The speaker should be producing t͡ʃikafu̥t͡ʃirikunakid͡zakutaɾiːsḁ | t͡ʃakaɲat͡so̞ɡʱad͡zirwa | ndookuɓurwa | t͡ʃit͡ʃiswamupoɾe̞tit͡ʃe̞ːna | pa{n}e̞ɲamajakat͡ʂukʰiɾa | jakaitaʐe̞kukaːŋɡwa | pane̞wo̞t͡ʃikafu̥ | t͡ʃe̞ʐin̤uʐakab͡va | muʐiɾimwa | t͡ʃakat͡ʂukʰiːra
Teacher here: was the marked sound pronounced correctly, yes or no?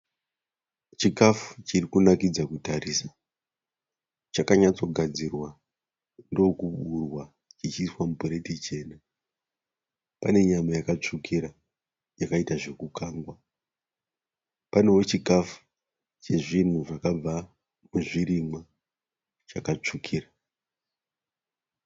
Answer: yes